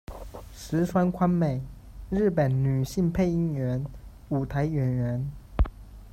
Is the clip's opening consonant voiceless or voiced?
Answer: voiceless